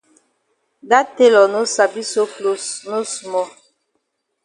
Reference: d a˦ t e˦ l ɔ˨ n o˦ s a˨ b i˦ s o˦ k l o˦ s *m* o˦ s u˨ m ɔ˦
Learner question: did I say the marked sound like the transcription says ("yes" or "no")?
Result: no